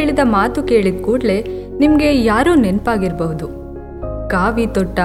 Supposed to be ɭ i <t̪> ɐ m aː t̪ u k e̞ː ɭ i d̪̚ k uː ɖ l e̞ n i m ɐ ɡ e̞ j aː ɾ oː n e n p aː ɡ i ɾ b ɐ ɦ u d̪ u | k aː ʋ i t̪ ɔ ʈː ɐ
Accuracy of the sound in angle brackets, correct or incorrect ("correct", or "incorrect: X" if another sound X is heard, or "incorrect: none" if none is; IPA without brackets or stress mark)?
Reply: incorrect: d̪